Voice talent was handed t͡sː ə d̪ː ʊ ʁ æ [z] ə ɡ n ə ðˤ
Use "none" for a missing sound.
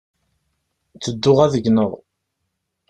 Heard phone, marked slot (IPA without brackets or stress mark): ð